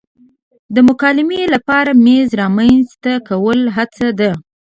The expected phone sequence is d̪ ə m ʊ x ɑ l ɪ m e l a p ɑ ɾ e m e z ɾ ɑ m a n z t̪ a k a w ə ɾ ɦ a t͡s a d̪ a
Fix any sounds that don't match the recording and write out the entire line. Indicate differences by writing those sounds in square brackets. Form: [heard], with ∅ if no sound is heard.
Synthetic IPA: d̪ ə m ʊ [k] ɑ l ɪ m e l a p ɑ ɾ [a] m e z ɾ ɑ m a n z t̪ a k a w ə [l] ɦ a t͡s a d̪ a